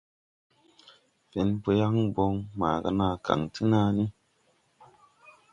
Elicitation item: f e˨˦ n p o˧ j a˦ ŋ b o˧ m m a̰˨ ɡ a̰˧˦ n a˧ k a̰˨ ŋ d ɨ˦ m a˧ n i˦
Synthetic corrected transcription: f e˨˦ n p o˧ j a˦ ŋ b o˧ ŋ m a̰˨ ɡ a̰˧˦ n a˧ k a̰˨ ŋ t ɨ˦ n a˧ n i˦